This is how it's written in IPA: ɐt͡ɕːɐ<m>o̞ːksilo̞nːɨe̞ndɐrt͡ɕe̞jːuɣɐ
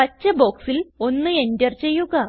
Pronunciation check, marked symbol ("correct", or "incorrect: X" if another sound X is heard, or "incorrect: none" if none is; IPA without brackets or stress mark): incorrect: b